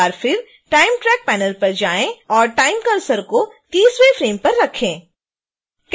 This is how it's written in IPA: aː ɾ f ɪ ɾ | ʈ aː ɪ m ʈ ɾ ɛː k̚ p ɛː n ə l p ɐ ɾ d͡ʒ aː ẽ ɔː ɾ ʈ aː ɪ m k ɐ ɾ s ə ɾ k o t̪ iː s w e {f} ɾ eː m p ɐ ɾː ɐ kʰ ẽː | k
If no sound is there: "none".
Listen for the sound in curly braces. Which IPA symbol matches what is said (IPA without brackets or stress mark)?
f